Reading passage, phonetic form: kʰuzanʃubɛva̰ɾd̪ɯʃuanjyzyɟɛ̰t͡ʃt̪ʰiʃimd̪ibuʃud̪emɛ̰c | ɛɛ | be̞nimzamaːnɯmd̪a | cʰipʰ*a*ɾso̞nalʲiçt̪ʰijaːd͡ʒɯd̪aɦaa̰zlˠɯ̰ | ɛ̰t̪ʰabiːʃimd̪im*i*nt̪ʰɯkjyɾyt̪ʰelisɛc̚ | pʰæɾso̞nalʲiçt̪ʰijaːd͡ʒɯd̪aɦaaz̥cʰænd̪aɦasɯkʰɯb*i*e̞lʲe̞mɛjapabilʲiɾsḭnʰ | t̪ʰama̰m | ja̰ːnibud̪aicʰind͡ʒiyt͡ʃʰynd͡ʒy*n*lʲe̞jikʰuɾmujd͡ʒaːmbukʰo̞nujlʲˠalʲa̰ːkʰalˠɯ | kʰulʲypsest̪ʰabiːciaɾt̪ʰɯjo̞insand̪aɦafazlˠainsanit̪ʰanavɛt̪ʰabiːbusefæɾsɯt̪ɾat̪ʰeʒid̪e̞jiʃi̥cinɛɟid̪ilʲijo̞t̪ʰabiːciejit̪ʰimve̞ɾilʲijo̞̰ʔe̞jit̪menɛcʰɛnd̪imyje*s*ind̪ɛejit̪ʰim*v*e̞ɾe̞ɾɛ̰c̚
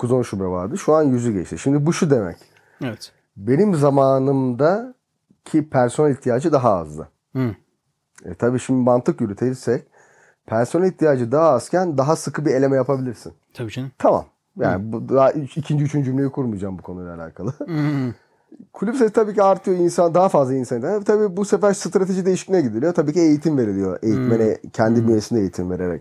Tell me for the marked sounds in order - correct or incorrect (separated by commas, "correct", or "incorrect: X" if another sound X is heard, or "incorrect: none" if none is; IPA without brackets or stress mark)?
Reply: incorrect: æ, incorrect: a, correct, incorrect: m, correct, correct